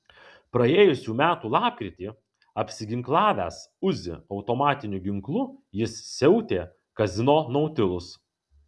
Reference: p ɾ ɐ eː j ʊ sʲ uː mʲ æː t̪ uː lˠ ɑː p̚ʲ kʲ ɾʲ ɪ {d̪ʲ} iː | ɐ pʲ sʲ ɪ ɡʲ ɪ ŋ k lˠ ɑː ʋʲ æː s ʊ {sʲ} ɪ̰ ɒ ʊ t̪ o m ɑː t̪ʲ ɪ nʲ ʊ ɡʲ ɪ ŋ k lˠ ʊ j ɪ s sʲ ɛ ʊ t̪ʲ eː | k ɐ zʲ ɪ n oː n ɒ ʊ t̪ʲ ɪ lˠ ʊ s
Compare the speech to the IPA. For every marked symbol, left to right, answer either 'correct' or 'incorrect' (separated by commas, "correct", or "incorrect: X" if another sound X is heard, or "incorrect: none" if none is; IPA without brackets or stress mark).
incorrect: t̪ʲ, incorrect: zʲ